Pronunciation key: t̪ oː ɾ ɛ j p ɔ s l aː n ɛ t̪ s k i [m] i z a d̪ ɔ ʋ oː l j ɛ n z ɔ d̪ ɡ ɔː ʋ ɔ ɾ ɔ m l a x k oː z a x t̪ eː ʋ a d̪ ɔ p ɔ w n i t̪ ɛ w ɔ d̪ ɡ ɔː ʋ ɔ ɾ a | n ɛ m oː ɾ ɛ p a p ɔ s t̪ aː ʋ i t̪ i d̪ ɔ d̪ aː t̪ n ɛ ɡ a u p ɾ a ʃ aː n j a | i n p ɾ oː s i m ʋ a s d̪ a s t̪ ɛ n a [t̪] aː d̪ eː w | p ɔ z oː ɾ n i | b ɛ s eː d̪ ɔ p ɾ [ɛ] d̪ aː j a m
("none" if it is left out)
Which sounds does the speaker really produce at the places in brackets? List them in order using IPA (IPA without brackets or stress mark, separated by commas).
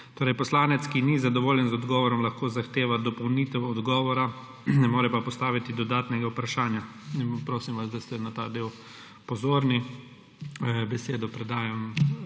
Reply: n, t̪, ɛ